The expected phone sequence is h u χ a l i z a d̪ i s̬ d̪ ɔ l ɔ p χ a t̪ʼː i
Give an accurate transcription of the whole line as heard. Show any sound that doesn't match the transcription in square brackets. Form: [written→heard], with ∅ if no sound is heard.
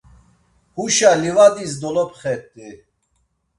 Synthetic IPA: h u [χ→ʃ] a l i [z→v] a d̪ i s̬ d̪ ɔ l ɔ p χ [a→ɛ] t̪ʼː i